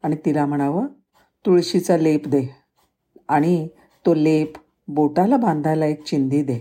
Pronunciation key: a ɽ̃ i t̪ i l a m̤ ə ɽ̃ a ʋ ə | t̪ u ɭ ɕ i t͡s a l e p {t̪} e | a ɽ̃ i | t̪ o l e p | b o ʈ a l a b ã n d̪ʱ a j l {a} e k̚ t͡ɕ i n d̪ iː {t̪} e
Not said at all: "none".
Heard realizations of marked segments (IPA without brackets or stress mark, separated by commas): d̪, a, d̪